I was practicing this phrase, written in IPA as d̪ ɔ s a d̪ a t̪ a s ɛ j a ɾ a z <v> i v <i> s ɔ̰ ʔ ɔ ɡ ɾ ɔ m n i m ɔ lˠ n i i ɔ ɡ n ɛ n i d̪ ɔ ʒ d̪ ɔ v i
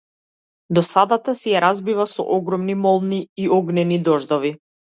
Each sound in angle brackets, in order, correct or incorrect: incorrect, incorrect

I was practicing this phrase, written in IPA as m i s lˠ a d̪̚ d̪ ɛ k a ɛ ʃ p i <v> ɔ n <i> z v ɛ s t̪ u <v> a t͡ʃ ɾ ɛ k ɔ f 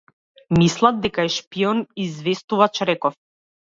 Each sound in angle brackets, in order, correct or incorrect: incorrect, correct, correct

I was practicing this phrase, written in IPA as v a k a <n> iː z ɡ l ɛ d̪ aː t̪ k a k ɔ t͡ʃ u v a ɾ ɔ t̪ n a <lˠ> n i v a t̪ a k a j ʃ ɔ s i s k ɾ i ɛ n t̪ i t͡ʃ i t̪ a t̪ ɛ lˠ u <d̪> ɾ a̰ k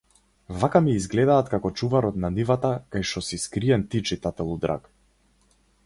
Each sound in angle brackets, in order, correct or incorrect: incorrect, incorrect, correct

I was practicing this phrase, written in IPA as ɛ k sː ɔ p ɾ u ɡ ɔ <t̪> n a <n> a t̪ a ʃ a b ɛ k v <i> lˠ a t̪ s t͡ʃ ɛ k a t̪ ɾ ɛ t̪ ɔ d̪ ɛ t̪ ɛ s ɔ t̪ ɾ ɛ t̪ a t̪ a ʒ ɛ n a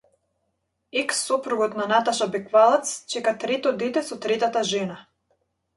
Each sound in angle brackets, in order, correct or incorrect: correct, correct, incorrect

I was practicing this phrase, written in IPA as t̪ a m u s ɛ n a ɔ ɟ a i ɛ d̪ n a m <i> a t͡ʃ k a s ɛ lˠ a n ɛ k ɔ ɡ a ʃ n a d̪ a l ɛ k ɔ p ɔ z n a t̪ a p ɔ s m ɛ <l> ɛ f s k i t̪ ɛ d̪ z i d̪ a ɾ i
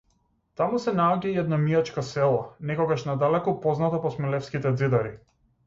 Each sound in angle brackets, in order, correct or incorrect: correct, correct

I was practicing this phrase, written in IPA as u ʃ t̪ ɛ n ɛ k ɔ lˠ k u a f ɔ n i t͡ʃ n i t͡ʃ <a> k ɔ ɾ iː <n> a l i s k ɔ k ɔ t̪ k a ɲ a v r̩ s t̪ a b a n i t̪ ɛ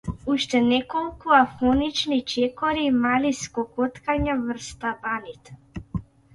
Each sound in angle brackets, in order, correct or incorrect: incorrect, incorrect

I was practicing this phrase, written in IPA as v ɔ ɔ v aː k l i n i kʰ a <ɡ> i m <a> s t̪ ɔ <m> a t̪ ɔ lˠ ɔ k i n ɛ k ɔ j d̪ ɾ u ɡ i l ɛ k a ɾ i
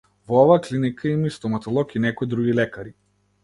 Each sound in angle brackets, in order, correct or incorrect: incorrect, incorrect, correct

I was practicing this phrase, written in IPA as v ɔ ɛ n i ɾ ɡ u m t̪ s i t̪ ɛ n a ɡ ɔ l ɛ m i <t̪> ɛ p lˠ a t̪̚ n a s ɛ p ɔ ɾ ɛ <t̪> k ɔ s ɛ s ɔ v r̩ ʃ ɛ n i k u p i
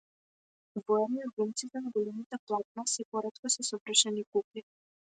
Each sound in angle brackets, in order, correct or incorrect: correct, correct

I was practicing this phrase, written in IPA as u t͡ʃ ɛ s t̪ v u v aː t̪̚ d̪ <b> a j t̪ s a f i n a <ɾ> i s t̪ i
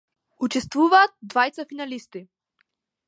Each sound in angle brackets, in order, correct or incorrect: incorrect, incorrect

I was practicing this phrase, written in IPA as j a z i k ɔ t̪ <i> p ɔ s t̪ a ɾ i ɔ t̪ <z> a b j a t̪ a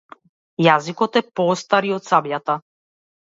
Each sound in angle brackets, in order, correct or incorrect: incorrect, incorrect

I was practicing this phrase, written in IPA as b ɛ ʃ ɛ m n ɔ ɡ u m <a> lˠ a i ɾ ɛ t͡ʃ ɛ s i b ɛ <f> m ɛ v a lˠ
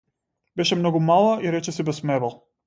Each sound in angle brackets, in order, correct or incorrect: correct, incorrect

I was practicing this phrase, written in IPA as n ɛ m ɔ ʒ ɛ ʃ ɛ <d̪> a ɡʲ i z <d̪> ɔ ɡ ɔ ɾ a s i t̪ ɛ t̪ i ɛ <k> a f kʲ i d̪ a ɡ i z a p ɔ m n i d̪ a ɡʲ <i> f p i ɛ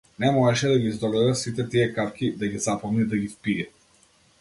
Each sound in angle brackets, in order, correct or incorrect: correct, correct, correct, correct

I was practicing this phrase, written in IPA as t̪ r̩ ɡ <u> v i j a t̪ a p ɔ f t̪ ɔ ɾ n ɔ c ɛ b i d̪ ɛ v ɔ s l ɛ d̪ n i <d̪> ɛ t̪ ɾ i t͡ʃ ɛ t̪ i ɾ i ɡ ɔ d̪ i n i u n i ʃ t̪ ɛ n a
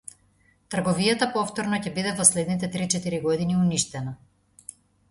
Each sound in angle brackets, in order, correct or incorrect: incorrect, incorrect

